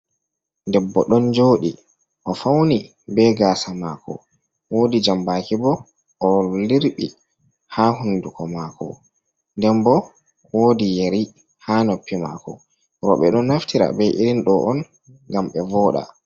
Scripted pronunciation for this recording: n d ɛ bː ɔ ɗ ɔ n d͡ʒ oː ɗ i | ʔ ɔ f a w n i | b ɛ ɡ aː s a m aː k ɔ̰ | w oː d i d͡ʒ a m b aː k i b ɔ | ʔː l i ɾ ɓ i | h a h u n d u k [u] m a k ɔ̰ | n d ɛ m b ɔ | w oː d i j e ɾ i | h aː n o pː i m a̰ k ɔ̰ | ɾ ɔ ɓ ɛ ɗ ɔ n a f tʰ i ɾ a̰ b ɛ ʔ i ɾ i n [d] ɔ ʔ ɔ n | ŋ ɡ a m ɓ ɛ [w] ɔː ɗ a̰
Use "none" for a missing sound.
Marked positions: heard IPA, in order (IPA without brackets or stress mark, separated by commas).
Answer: ɔ, ɗ, v